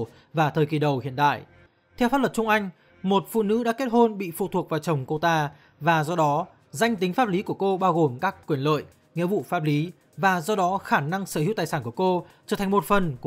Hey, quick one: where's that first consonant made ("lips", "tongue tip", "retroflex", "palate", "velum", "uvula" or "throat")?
lips